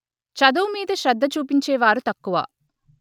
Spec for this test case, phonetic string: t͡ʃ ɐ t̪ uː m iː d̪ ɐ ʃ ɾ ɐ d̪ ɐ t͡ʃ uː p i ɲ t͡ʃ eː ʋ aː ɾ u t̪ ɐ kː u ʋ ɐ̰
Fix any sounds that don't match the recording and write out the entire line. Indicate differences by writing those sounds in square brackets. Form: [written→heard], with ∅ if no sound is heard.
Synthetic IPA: t͡ʃ ɐ [t̪→d̪] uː m iː d̪ ɐ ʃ ɾ ɐ [d̪→d̪ː] ɐ t͡ʃ uː p i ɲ t͡ʃ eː ʋ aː ɾ u t̪ ɐ kː u ʋ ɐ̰

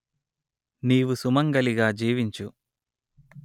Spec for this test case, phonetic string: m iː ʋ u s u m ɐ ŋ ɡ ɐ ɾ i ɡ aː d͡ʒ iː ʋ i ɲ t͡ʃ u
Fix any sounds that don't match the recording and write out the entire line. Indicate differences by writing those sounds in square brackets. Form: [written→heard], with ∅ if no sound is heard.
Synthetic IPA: [m→n] iː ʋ u s u m ɐ ŋ ɡ ɐ [ɾ→l] i ɡ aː d͡ʒ iː ʋ i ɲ t͡ʃ u

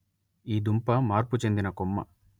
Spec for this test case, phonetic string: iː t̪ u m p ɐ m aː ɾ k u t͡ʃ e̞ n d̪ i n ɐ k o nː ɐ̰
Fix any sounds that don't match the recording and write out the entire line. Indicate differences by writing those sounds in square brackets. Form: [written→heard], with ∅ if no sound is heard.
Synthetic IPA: iː [t̪→d̪] u m p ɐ m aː ɾ [k→p] u t͡ʃ e̞ n d̪ i n ɐ k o [nː→mː] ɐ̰

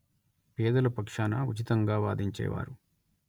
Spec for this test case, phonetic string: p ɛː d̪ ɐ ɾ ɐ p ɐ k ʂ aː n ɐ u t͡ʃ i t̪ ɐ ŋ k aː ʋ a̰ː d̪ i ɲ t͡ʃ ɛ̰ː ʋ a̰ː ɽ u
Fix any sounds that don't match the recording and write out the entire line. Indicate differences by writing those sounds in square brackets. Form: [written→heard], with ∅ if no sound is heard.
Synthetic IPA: p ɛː d̪ ɐ [ɾ→l] ɐ p ɐ k ʂ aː n ɐ u t͡ʃ i t̪ ɐ ŋ [k→ɡ] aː ʋ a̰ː d̪ i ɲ t͡ʃ ɛ̰ː ʋ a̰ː [ɽ→ɾ] u

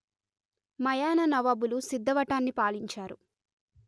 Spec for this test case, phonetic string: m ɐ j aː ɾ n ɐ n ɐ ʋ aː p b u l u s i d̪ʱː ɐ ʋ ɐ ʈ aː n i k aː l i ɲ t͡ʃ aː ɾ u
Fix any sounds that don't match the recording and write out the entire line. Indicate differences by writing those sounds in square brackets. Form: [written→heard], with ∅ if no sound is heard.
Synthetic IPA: m ɐ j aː [ɾ→∅] n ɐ n ɐ ʋ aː [p→∅] b u l u s i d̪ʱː ɐ ʋ ɐ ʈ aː [n→nː] i [k→p] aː l i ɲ t͡ʃ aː ɾ u

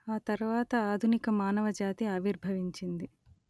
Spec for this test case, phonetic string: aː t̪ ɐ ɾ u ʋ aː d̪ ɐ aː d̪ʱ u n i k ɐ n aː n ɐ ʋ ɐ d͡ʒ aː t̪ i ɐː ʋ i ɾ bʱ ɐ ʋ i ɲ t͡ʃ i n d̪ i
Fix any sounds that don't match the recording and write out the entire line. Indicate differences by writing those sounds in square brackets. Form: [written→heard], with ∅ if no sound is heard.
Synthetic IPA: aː t̪ ɐ ɾ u ʋ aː [d̪→t̪] ɐ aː d̪ʱ u n i k ɐ [n→m] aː n ɐ ʋ ɐ d͡ʒ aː t̪ i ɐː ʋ i ɾ bʱ ɐ ʋ i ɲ t͡ʃ i n d̪ i

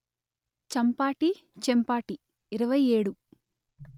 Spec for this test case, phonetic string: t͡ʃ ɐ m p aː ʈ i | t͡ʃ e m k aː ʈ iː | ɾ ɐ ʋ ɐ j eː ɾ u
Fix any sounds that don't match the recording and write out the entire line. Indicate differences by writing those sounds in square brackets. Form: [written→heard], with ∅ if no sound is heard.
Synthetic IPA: t͡ʃ ɐ m p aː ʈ i | t͡ʃ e m [k→p] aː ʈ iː | ɾ ɐ ʋ ɐ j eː [ɾ→ɽ] u

